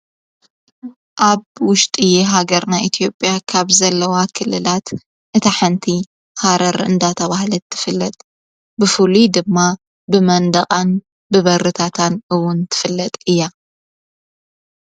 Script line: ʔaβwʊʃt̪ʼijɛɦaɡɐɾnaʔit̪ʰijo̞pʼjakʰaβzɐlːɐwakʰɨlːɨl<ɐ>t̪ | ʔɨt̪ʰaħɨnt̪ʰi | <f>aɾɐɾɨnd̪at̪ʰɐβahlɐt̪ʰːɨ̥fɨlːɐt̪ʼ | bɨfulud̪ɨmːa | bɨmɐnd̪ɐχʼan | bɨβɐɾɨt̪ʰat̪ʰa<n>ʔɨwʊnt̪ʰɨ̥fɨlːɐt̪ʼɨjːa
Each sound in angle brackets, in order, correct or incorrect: incorrect: a, incorrect: h, correct

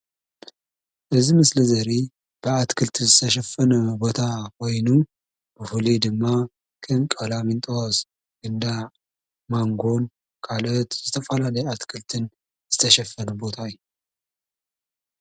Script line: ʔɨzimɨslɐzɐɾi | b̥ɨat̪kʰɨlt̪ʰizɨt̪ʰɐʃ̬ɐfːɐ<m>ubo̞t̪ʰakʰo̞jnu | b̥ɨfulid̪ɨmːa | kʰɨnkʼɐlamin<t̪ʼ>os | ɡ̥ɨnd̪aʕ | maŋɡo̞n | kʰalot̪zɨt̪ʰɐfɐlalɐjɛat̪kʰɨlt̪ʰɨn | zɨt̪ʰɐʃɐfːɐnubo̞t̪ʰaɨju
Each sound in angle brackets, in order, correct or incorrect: incorrect: n, correct

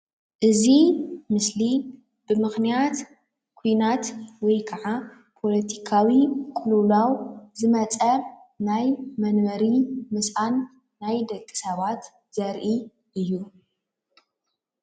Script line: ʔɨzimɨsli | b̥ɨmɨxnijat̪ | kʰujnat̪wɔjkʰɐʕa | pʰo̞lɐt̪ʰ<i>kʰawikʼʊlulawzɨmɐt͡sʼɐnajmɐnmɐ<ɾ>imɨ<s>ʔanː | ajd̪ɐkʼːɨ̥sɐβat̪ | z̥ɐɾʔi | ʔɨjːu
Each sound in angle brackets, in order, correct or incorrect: correct, correct, correct

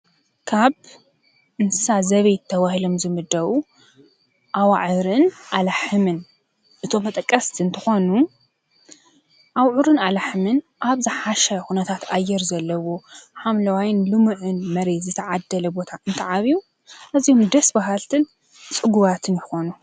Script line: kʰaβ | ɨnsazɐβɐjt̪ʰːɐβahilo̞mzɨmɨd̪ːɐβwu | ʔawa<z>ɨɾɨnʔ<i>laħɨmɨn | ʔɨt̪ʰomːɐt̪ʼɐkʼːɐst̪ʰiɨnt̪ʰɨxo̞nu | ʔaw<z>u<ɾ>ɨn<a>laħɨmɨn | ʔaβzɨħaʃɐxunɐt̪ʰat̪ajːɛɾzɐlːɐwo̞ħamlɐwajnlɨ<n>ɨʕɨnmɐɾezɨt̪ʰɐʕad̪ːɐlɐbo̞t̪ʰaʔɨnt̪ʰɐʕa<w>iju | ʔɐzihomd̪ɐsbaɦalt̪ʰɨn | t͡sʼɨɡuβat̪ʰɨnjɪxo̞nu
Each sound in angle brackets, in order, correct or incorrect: incorrect: ʕ, incorrect: a, incorrect: ʕ, correct, correct, incorrect: m, incorrect: β

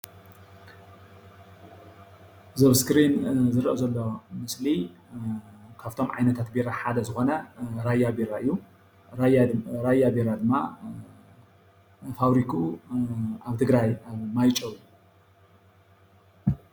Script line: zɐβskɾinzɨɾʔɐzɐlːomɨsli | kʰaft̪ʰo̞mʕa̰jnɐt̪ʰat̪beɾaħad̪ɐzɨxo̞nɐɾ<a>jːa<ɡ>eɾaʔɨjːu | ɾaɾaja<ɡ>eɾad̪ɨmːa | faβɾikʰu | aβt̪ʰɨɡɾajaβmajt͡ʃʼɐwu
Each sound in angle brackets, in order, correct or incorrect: correct, incorrect: b, incorrect: b

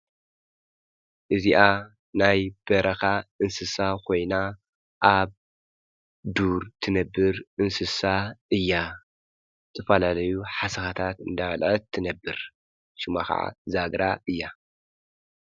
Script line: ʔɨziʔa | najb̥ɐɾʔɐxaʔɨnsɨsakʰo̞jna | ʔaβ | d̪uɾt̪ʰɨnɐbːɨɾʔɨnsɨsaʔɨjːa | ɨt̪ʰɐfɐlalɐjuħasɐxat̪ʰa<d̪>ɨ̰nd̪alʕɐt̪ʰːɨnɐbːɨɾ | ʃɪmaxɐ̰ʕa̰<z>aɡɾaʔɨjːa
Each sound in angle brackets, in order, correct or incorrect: incorrect: t̪, correct

